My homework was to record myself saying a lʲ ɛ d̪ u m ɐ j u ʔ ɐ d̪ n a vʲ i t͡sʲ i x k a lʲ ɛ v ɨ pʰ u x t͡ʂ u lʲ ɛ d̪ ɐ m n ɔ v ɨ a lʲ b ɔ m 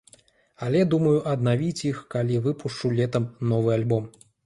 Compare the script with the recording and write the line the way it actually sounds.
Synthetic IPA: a lʲ ɛ d̪ u m ɐ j u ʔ ɐ d̪ n a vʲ i t͡sʲ i x k a lʲ i v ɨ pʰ u ʂ t͡ʂ u lʲ ɛ t̪ ɐ m n ɔ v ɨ a lʲ b ɔ m